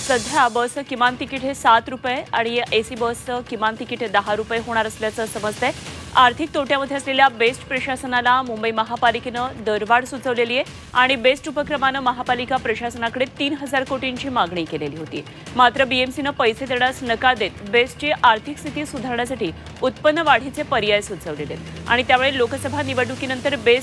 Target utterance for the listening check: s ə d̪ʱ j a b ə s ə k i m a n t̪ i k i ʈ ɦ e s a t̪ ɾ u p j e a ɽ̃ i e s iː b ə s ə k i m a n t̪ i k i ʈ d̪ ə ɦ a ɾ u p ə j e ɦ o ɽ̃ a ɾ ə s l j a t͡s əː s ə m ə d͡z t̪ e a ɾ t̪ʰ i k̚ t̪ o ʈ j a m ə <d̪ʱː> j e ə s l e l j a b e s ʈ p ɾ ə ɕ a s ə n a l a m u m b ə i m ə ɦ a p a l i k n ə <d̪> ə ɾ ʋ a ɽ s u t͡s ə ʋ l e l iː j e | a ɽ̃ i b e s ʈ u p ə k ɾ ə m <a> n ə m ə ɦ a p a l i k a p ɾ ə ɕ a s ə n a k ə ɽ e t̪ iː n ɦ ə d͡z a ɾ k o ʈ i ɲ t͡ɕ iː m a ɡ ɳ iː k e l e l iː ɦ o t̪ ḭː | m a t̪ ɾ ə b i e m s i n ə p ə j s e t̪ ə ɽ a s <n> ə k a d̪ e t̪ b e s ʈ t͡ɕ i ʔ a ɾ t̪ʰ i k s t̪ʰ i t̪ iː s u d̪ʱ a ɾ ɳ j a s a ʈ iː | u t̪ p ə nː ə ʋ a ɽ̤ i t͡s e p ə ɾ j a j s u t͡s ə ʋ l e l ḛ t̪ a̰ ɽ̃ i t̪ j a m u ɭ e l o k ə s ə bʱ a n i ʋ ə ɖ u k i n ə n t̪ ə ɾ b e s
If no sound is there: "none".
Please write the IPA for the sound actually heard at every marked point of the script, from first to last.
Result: d̪ʱ, d̪, a, n

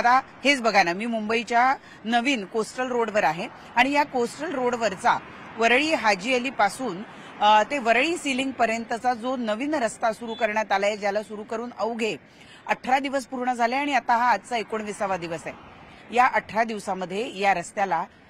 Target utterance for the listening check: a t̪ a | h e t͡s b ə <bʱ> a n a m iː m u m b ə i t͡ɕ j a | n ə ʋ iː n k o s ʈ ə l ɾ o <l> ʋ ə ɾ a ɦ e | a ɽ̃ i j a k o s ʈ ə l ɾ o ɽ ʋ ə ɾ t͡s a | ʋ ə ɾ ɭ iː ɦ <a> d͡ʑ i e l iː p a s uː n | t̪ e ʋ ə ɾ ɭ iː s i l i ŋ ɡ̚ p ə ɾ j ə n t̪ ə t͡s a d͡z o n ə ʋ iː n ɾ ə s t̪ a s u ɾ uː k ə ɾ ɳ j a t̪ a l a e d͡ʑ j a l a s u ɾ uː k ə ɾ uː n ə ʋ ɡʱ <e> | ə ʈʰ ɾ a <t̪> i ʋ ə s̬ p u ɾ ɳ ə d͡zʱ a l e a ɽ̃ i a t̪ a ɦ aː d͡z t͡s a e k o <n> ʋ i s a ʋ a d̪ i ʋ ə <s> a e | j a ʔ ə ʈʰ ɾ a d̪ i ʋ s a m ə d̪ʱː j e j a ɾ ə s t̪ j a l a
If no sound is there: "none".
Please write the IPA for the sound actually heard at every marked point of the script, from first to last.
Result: ɡʱ, ɽ, a, e, d̪, ɳ, s

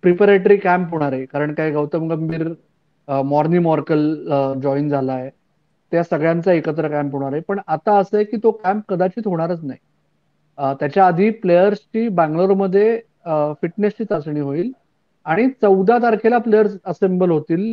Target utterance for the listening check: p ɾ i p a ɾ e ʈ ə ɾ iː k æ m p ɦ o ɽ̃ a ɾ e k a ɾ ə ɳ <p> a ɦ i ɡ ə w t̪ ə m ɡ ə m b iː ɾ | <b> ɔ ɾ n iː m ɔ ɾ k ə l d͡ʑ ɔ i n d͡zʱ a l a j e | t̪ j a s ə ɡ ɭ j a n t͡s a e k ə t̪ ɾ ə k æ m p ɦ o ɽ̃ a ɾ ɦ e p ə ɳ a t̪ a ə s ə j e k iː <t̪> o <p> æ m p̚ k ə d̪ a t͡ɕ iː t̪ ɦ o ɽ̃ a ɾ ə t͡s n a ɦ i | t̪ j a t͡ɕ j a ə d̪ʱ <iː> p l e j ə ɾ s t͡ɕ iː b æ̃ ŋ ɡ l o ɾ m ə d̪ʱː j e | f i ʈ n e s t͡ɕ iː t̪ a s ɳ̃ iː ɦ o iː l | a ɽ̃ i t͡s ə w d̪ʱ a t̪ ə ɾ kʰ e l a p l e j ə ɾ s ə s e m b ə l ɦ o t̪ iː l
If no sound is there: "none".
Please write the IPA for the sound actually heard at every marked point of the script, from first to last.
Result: k, m, t̪, k, iː

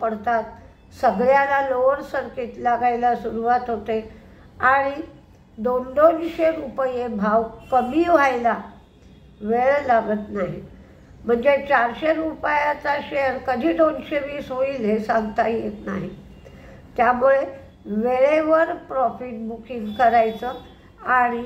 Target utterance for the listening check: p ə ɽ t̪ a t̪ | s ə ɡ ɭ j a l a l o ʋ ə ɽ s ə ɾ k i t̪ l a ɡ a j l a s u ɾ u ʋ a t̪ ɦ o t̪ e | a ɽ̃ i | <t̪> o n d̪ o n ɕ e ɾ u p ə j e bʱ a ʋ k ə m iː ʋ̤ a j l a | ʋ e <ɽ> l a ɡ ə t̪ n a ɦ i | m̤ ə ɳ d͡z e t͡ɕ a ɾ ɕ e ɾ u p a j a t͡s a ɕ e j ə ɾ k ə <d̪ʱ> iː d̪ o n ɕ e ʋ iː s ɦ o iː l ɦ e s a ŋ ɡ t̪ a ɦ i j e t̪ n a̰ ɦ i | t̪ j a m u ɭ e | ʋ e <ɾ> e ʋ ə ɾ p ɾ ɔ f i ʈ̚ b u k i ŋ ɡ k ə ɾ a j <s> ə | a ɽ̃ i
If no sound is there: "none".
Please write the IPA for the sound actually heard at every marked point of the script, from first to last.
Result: d̪, ɭ, d̪ʱ, ɭ, t͡s

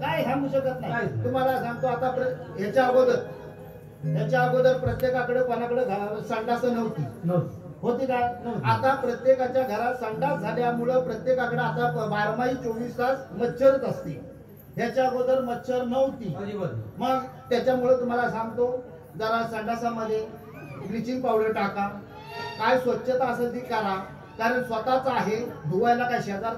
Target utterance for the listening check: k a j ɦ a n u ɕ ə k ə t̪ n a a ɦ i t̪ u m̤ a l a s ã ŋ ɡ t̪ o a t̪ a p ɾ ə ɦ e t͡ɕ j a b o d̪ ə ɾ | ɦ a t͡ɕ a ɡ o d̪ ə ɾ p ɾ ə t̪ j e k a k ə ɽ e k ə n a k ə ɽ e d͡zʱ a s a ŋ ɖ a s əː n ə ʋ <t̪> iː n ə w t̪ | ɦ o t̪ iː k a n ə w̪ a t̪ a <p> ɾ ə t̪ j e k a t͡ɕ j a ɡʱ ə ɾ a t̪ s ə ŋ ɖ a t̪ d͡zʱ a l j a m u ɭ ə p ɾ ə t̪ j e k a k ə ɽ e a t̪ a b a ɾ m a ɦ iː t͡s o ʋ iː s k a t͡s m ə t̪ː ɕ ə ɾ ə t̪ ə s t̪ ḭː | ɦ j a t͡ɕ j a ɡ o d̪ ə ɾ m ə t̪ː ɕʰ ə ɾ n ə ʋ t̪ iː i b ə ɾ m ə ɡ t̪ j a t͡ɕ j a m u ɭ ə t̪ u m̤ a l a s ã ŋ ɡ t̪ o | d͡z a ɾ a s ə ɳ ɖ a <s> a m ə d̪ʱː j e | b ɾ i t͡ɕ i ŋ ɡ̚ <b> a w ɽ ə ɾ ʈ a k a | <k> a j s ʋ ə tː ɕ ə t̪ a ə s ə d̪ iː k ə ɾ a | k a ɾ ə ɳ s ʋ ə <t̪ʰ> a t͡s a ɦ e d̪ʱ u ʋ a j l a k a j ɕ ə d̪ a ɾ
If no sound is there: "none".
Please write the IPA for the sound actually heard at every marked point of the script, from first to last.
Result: t̪, p, s, p, k, t̪

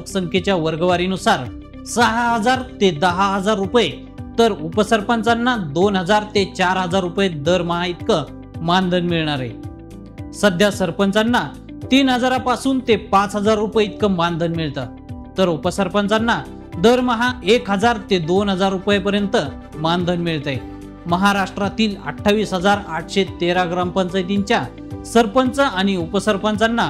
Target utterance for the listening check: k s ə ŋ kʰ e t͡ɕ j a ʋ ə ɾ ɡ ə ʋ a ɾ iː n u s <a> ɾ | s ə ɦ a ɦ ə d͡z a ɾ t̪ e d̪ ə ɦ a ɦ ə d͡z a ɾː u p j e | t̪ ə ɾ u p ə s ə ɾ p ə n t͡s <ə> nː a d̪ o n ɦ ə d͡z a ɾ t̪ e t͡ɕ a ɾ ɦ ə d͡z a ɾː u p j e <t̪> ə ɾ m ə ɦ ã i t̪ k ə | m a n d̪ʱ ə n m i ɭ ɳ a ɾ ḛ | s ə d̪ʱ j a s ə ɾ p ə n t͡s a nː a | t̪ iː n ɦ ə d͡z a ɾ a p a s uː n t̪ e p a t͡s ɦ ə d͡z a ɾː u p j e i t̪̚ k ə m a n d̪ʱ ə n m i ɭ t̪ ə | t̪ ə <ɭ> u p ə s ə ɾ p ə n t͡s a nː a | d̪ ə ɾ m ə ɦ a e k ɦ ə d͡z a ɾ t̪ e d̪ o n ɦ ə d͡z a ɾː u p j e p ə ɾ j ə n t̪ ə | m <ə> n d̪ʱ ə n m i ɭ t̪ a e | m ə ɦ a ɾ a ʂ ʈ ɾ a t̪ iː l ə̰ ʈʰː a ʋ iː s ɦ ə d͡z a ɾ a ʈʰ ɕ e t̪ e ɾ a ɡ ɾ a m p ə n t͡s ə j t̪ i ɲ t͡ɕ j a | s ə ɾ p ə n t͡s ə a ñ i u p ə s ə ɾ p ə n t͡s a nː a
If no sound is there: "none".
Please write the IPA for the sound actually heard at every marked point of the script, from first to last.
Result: a, a, d̪, ɾ, a

